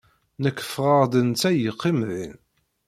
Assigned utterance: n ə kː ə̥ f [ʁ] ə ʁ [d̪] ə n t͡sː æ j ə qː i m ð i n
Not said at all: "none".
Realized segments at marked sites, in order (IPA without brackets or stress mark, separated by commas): ʁ, d̪